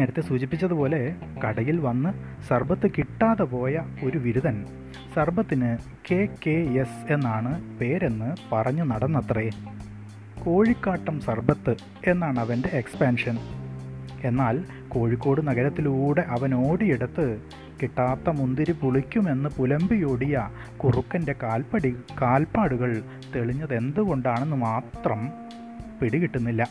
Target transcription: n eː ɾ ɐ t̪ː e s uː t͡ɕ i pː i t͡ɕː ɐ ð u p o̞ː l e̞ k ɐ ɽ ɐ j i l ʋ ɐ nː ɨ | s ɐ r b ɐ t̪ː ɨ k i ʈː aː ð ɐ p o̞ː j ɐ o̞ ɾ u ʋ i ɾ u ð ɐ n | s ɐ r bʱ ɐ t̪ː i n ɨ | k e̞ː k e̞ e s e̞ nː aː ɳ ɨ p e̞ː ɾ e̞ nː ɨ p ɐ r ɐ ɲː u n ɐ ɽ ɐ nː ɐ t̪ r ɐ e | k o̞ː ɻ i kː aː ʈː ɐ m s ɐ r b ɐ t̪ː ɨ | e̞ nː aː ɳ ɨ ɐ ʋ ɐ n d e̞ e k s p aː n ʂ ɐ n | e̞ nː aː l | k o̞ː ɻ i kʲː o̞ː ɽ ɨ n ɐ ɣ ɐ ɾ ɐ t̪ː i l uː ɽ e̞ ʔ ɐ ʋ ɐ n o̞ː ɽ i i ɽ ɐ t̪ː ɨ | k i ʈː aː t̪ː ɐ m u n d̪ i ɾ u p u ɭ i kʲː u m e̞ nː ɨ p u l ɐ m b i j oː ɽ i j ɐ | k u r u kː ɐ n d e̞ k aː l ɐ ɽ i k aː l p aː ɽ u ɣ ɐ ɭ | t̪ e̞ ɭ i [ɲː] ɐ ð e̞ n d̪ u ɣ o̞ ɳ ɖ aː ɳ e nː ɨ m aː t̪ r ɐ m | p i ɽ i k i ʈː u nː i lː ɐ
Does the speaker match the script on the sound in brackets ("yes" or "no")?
yes